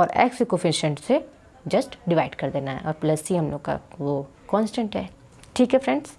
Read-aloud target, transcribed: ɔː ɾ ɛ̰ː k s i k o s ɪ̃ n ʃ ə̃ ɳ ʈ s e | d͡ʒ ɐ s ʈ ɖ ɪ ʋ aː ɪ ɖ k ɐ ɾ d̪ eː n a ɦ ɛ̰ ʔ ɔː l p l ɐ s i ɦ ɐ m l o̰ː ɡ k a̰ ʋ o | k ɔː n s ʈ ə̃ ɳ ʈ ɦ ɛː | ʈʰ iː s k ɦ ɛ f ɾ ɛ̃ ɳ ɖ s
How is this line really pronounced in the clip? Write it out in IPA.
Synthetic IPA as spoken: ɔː ɾ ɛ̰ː k s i k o f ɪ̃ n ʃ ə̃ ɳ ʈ s e | d͡ʒ ɐ s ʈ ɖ ɪ ʋ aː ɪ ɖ k ɐ ɾ d̪ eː n a ɦ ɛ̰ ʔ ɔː ɾ p l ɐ s i ɦ ɐ m l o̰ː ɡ k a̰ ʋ o | k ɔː n s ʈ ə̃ ɳ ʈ ɦ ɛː | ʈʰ iː k ɦ ɛ f ɾ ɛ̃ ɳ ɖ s